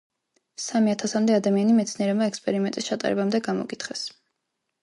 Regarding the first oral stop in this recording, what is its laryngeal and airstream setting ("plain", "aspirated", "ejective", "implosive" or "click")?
aspirated